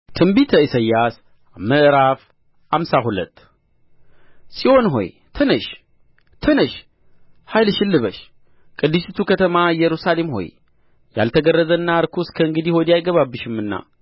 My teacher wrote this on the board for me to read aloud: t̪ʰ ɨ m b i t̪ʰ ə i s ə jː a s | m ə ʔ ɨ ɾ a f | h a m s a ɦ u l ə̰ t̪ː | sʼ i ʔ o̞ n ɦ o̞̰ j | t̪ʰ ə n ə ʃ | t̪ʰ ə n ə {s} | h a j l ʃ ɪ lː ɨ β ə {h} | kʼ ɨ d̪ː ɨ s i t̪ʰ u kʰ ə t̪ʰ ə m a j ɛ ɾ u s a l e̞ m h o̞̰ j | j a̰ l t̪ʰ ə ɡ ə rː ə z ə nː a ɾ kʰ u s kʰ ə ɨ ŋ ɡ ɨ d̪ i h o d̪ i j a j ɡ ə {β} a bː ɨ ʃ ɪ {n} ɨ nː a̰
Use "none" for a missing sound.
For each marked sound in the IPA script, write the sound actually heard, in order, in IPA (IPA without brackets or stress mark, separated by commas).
ʃ, ʃ, β, m